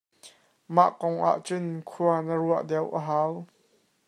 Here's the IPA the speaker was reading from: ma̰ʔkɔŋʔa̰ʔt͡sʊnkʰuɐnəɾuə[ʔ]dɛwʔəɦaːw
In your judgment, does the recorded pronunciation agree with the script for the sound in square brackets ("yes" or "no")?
yes